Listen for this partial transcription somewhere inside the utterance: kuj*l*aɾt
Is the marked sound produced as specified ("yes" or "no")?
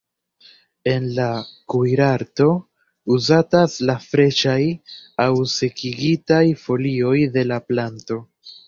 no